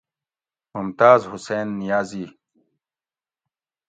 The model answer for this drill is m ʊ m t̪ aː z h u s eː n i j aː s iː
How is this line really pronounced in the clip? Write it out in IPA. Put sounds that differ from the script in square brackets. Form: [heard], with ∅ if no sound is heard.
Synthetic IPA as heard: m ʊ m t̪ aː z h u s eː [nː] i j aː [z] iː